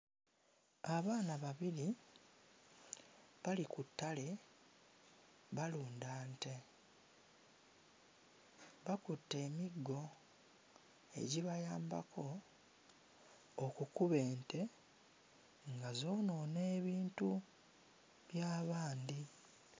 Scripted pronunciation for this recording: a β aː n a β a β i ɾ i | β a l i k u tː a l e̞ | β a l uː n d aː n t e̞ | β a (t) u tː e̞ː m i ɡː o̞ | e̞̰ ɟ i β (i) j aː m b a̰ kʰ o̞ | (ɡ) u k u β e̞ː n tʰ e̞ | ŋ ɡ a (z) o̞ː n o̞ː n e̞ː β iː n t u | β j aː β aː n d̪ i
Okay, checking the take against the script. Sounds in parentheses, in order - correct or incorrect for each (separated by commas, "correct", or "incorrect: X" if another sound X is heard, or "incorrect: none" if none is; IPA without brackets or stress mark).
incorrect: k, incorrect: a, incorrect: k, correct